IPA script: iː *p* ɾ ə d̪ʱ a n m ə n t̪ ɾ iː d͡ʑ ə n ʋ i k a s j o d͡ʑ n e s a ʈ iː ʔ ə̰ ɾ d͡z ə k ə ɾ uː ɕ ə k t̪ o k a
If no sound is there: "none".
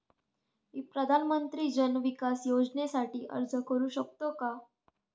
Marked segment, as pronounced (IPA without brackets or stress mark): p